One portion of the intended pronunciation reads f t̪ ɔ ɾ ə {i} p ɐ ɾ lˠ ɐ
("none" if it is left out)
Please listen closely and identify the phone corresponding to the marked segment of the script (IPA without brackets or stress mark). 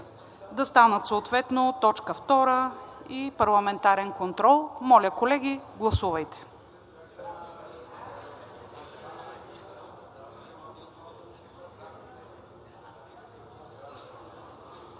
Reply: i